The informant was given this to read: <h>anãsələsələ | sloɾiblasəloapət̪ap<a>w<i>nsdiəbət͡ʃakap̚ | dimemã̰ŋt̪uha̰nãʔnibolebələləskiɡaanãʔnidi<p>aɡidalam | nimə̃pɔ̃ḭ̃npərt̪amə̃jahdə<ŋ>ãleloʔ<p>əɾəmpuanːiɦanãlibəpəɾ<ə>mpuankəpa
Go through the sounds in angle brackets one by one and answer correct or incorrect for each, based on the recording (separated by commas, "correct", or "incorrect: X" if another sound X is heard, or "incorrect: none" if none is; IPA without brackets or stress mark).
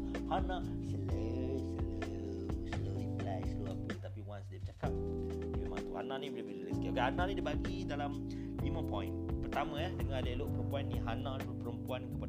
correct, incorrect: i, incorrect: a, incorrect: b, correct, correct, correct